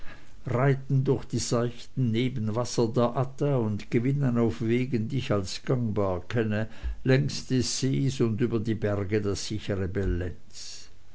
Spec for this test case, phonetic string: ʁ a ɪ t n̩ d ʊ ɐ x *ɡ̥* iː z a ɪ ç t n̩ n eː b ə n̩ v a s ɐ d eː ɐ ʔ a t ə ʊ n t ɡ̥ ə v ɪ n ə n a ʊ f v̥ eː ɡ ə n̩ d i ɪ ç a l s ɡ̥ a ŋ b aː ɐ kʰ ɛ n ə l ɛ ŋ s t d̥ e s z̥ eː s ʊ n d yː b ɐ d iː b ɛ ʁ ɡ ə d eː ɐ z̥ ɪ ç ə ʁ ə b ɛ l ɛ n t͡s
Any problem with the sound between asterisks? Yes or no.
yes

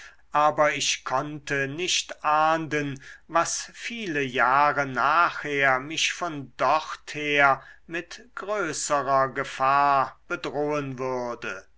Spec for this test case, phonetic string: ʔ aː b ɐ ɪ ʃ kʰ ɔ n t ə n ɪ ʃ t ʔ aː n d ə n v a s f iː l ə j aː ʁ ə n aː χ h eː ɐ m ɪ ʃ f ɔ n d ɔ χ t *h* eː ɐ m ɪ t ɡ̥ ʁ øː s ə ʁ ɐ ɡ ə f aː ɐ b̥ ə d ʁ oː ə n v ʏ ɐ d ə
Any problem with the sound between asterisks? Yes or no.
no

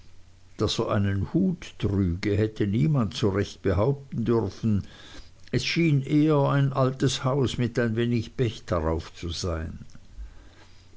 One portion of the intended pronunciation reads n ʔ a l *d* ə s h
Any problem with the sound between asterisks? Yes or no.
yes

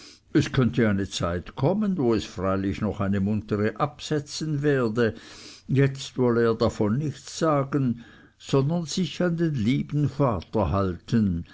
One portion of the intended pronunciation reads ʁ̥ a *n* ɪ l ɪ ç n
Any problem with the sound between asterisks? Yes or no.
yes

